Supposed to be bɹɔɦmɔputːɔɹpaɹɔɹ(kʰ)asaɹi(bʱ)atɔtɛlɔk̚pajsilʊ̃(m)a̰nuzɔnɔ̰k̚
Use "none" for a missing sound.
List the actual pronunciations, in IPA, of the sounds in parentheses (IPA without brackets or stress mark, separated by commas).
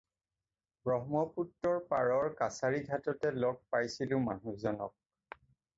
k, ɡʱ, m